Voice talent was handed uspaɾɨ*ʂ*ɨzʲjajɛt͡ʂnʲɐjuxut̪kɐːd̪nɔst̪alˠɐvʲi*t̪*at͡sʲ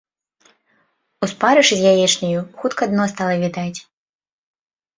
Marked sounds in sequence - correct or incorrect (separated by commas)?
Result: correct, incorrect